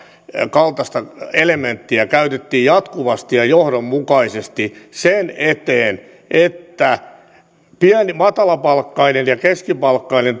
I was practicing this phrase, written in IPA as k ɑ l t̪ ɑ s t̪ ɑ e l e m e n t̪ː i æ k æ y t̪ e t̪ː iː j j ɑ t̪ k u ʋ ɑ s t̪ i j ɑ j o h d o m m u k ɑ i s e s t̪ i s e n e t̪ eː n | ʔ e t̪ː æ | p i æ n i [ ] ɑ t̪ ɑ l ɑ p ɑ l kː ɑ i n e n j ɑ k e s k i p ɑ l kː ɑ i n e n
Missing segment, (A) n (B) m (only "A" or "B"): B